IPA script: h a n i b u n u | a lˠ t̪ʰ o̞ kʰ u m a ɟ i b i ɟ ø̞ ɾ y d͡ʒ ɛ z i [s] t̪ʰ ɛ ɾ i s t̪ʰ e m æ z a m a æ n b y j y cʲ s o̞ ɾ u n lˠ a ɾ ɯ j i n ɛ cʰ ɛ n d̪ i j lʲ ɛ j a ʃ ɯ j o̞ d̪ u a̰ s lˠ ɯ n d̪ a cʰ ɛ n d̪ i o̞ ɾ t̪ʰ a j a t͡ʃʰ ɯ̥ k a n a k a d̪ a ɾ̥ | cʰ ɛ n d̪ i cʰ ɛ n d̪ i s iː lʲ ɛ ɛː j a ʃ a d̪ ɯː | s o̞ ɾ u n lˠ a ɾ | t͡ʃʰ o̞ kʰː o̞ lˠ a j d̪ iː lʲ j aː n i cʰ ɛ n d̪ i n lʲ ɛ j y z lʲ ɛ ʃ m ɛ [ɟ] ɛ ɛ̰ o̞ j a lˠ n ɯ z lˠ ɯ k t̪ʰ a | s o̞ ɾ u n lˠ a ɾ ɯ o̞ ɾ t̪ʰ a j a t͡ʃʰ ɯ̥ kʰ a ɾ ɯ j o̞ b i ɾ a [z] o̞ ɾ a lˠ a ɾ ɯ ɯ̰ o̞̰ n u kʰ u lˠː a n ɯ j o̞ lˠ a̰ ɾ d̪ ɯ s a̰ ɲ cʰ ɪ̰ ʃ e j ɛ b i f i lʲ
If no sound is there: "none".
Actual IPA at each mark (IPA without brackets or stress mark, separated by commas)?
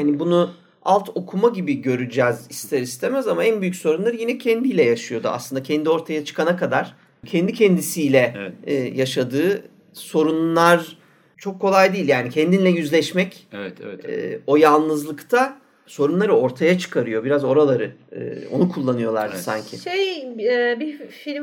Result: s, c, z